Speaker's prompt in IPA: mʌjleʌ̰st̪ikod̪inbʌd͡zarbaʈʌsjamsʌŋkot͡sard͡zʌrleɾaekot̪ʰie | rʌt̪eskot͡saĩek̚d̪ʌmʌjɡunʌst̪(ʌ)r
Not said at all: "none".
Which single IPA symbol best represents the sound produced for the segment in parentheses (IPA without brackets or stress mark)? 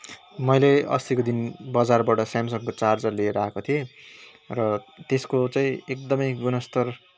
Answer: ʌ